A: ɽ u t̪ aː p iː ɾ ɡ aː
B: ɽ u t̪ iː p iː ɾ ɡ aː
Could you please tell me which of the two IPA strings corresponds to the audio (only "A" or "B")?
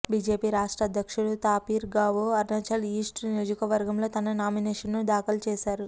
A